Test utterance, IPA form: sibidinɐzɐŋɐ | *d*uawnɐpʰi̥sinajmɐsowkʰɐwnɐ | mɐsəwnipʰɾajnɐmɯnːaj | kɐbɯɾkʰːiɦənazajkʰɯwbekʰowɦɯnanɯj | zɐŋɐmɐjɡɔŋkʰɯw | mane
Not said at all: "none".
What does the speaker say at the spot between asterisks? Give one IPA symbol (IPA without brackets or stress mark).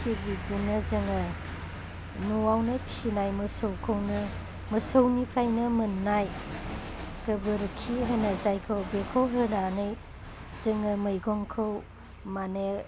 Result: n